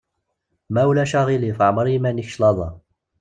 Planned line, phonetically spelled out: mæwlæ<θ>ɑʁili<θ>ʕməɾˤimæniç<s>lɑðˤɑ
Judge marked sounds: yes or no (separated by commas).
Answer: no, no, no